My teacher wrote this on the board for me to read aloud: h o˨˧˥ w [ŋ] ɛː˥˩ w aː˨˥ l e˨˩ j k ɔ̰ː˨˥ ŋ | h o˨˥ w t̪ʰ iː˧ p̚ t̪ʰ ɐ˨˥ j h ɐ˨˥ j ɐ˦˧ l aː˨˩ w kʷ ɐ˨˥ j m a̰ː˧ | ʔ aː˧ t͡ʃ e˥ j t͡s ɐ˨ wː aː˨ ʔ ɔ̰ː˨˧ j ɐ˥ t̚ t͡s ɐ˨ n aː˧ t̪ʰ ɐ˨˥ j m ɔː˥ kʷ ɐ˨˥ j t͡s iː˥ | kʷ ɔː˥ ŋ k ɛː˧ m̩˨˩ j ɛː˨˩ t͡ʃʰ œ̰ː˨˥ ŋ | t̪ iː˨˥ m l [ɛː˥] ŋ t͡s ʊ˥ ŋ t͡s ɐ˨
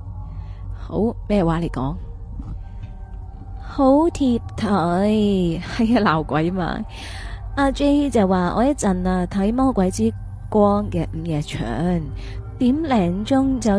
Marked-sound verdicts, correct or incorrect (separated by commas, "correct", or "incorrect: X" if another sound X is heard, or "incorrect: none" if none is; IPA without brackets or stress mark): incorrect: m, incorrect: ɛː˨˩